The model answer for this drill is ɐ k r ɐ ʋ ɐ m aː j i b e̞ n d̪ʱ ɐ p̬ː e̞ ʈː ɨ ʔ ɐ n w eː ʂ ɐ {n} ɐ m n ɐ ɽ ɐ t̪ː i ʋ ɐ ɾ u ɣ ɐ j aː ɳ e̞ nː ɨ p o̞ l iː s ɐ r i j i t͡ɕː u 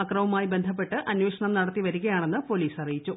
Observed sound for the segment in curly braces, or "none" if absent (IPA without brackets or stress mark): ɳ